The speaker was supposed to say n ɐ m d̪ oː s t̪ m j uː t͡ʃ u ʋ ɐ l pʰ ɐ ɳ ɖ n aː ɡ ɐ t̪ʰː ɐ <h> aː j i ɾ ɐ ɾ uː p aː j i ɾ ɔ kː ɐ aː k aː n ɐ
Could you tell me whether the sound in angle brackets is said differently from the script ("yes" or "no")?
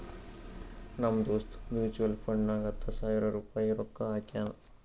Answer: yes